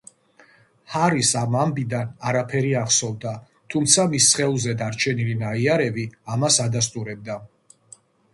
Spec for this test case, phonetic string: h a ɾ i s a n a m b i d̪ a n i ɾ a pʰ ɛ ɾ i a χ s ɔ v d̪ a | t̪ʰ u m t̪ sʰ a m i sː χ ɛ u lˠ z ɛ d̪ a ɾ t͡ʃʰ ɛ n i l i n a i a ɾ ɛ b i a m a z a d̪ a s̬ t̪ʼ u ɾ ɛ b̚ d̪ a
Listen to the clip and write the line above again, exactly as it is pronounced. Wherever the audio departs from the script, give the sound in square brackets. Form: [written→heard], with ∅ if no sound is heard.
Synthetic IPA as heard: h a ɾ i s a [n→m] a m b i d̪ a n [i→a] ɾ a pʰ ɛ ɾ i a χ s ɔ v d̪ a | t̪ʰ u m t̪ sʰ a m i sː χ ɛ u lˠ z ɛ d̪ a ɾ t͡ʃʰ ɛ n i l i n a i a ɾ ɛ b i a m a [z→s] a d̪ a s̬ t̪ʼ u ɾ ɛ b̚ d̪ a